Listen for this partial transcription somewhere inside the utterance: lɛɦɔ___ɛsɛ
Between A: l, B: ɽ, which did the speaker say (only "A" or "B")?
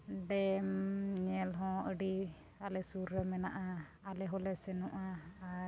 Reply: A